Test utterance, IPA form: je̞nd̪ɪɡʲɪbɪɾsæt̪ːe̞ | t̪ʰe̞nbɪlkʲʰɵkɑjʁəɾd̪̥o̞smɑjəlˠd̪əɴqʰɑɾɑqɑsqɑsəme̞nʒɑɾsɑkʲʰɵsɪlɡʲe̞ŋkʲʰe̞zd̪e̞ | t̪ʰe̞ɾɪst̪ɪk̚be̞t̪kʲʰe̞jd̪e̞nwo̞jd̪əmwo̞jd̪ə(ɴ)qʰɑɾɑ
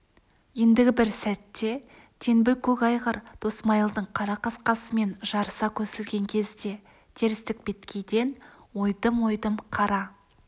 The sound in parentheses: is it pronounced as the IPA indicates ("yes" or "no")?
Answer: no